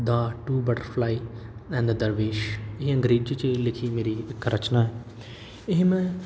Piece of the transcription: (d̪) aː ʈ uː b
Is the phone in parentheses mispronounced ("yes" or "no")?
no